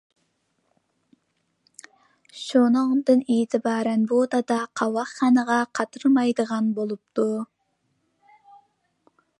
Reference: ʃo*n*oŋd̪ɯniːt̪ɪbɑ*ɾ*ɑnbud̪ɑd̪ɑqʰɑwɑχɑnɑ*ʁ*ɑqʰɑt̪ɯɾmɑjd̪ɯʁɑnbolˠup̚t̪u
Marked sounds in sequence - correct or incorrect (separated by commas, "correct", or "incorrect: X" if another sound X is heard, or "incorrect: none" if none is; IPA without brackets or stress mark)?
correct, correct, correct